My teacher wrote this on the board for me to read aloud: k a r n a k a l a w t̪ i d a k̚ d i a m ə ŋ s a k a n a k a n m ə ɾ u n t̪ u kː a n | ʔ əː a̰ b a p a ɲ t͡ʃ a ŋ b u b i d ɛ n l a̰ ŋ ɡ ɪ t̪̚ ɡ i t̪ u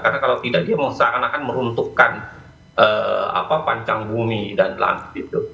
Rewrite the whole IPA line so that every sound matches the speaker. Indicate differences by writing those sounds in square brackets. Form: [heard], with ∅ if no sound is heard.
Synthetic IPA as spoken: k a r n a k a l a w t̪ i d a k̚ d i a m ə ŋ s a k a n a k a n m ə ɾ u n t̪ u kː a n | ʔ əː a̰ [p] a p a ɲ t͡ʃ a ŋ b u [m] i d [a] n l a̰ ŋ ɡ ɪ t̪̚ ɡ i t̪ u